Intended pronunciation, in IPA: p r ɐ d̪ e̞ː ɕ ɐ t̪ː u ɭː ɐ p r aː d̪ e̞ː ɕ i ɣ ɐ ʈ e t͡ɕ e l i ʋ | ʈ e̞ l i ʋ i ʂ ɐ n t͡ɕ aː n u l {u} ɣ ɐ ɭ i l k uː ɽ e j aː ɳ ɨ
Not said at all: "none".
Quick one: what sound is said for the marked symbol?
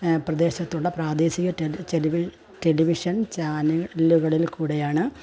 u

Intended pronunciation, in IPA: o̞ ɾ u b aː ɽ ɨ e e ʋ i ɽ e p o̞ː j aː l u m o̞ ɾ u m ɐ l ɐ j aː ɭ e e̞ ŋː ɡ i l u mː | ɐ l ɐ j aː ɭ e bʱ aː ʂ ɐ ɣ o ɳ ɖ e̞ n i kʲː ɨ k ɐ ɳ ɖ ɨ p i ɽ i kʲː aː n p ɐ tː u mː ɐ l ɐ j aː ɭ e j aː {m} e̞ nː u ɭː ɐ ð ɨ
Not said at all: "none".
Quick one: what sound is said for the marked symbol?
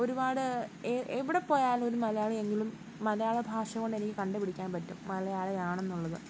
ɳ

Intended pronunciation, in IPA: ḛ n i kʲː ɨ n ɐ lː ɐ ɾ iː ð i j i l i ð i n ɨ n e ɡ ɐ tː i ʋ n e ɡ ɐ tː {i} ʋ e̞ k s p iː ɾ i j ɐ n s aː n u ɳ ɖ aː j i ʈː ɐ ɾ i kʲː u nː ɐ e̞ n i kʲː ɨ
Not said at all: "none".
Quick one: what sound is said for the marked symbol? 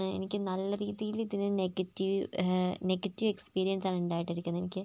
i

